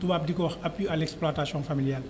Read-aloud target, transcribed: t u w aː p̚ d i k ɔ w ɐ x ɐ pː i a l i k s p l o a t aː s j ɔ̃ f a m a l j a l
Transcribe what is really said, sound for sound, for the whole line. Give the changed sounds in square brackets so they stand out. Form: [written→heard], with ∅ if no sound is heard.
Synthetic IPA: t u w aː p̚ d i k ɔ w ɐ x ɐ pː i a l [i→ɛ] k s p l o a t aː s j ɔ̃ f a m [a→i] l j a l